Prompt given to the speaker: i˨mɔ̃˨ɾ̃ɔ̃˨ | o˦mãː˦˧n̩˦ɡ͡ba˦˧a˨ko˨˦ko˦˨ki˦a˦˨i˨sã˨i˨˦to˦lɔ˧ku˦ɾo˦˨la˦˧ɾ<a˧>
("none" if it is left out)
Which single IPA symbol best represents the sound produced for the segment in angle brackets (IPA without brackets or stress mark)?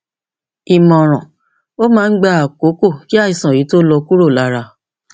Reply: a˧